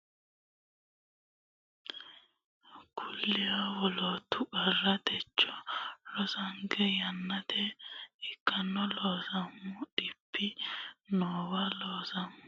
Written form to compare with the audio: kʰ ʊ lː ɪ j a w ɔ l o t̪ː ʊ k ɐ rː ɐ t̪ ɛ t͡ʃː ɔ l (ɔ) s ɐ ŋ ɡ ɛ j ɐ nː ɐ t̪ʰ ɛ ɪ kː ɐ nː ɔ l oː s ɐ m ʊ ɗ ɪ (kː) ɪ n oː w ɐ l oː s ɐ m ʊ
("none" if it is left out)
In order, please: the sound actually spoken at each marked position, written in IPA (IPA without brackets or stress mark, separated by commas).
ɔ, pː